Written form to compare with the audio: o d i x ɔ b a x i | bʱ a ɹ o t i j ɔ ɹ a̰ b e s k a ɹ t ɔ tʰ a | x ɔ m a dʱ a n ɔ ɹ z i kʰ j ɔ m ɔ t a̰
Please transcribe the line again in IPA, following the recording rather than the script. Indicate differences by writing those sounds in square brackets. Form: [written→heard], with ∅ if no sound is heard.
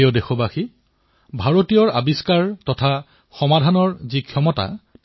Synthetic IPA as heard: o d [i→e] x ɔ b a x i | bʱ a ɹ o t i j ɔ ɹ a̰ b [e→i] s k a ɹ t ɔ tʰ a | x ɔ m a dʱ a n ɔ ɹ z i kʰ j ɔ m ɔ t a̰